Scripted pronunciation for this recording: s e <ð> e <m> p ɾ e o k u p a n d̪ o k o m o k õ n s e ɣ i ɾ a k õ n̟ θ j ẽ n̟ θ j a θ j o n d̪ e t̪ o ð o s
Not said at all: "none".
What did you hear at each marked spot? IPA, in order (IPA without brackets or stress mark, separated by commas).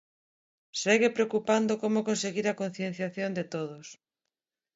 ɣ, none